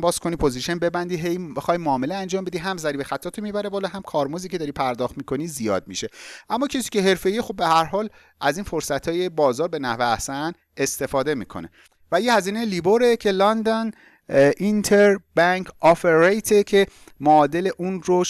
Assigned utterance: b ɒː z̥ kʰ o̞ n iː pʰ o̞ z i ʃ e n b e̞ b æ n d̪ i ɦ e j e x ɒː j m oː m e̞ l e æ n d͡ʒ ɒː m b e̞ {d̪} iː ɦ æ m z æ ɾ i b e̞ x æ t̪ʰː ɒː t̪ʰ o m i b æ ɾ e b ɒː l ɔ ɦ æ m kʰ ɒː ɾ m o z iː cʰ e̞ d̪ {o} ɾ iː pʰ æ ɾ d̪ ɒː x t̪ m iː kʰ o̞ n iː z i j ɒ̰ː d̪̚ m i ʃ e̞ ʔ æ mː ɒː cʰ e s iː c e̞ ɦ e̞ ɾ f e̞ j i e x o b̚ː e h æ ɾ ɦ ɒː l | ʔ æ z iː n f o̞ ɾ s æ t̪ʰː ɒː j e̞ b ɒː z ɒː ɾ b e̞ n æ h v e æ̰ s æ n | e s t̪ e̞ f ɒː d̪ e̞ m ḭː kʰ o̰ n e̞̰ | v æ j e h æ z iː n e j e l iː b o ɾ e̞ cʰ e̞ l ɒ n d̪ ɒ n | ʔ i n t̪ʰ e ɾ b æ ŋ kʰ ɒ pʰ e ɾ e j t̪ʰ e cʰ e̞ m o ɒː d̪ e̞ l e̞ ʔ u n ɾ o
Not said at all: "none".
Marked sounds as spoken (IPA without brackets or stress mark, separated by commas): d̪, ɒ